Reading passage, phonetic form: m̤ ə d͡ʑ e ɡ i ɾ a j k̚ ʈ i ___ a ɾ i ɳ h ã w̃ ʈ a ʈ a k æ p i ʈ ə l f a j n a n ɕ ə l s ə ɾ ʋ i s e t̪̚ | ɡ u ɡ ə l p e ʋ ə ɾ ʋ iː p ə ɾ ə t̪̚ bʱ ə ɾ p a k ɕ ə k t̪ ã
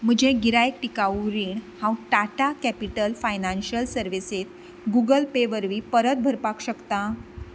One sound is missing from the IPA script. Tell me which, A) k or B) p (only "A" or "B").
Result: A